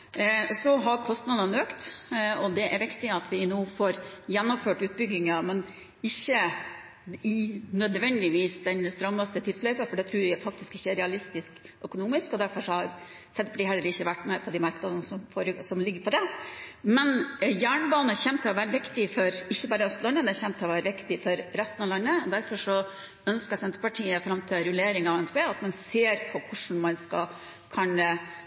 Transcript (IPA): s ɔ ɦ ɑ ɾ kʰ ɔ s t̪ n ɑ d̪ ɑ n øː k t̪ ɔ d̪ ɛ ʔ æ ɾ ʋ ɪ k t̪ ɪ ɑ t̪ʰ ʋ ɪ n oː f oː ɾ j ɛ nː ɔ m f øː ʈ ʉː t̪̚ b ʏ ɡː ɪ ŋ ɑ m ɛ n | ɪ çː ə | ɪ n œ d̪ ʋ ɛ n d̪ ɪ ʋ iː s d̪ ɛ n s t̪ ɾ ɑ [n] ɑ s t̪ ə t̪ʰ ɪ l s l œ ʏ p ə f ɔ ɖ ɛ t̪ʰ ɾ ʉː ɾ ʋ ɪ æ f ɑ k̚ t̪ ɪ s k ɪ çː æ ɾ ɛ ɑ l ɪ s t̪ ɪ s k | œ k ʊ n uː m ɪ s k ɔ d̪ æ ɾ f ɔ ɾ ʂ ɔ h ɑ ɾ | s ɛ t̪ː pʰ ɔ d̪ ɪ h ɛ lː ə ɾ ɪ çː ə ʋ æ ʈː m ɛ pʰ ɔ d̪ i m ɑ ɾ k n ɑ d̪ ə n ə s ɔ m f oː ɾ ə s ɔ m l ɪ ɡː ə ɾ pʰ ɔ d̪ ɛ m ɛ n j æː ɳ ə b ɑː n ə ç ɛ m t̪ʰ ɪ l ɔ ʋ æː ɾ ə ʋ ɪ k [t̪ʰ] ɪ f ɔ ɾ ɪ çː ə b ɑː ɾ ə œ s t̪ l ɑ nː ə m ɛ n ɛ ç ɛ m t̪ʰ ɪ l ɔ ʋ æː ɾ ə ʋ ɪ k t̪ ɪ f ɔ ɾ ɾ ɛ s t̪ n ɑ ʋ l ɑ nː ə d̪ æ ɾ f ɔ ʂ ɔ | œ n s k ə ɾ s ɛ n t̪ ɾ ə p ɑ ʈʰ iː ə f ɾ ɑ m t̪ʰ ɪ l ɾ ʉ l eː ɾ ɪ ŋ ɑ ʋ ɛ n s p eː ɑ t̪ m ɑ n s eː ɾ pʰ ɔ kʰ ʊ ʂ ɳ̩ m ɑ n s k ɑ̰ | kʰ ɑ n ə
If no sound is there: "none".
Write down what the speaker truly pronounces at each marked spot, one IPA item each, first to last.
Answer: m, t̪

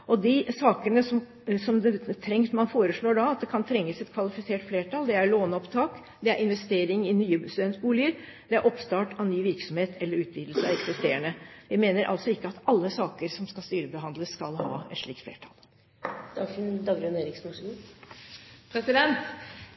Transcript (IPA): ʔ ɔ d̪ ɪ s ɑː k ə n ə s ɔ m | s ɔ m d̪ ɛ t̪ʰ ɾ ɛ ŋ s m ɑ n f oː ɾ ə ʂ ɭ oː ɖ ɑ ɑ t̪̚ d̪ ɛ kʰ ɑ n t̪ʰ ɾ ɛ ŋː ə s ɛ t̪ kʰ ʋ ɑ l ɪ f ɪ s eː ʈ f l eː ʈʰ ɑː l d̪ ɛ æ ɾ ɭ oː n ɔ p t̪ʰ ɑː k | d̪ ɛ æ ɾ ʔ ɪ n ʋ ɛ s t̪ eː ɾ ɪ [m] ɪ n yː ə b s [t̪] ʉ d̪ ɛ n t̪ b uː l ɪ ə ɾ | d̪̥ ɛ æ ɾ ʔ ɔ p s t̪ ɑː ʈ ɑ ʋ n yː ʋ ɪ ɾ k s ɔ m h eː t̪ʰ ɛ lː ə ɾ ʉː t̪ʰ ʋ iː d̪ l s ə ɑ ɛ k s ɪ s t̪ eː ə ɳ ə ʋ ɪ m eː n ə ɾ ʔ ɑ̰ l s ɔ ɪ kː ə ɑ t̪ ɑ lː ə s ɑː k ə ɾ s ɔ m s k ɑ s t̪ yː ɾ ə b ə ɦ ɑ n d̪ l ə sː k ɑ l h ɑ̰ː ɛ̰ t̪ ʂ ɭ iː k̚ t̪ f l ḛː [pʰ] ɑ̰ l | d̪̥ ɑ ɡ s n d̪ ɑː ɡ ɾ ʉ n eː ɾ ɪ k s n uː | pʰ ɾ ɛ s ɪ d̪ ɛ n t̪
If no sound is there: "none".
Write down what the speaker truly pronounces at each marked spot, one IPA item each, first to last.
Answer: ŋ, t̪, ʈʰ

